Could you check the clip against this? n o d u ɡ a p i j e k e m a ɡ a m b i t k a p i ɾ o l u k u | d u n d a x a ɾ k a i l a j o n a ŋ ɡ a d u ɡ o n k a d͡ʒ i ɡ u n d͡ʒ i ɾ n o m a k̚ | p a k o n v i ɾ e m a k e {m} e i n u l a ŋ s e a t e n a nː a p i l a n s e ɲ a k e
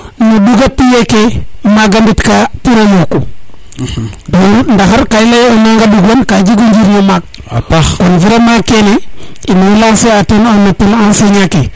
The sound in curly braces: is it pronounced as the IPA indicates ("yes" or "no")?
no